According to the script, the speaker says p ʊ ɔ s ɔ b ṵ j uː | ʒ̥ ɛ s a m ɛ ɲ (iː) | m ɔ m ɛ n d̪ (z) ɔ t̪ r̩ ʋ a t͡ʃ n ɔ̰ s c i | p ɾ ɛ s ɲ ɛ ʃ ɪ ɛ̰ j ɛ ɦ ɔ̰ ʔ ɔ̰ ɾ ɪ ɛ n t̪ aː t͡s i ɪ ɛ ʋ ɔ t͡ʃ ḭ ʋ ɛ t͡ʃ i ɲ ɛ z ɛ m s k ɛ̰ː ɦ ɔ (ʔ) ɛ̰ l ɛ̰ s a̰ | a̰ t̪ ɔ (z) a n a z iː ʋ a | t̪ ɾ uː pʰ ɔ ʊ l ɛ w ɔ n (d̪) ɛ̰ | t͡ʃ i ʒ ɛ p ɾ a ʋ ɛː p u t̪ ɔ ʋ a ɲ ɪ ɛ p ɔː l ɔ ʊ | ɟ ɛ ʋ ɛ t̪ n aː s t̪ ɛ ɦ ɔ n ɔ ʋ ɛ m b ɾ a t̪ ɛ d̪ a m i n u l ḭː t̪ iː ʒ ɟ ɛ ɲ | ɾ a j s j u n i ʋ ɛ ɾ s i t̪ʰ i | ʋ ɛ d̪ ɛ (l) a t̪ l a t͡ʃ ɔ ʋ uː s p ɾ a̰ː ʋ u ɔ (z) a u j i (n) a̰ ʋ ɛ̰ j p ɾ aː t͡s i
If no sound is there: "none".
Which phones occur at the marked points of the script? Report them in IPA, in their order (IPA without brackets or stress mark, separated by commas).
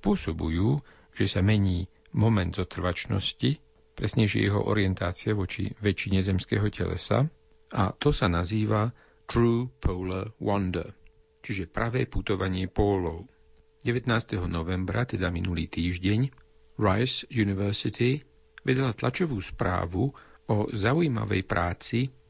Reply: iː, z, c, s, d̪, l, z, m